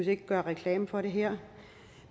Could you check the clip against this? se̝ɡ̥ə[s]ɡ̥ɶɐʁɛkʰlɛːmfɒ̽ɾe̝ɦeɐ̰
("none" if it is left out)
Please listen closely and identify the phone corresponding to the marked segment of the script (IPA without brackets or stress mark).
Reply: none